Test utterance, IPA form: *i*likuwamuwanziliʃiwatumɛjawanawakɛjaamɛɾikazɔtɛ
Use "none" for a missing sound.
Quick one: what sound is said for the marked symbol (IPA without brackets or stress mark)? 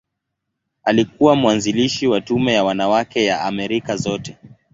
a